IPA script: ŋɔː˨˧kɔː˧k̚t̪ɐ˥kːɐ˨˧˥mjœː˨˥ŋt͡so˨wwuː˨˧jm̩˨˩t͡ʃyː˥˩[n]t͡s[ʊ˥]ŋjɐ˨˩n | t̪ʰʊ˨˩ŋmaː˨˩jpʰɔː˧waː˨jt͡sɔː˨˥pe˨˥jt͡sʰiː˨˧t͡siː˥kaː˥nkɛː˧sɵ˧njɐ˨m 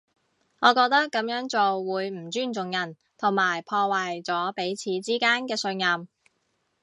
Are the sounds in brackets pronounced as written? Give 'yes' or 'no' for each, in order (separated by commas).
yes, no